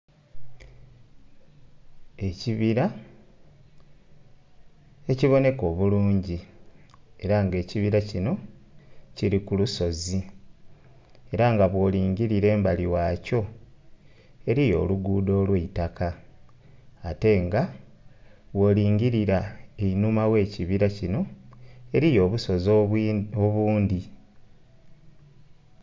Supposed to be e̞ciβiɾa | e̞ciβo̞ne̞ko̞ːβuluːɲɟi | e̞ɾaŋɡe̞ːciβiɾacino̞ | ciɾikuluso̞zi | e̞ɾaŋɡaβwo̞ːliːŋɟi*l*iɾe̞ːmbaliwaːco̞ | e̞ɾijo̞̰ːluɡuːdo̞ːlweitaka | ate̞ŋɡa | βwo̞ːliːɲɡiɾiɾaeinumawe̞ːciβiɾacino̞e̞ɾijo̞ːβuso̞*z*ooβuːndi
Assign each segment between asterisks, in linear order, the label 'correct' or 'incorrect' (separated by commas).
incorrect, correct